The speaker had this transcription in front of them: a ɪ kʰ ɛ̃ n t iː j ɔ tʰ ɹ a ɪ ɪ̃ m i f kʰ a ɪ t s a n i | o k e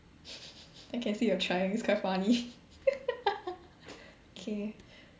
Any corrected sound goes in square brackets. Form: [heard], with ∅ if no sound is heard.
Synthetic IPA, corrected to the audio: a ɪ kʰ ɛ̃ n [s] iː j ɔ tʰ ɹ a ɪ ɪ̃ [ŋ] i [s] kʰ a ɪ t [f] a n i | o [kʰ] e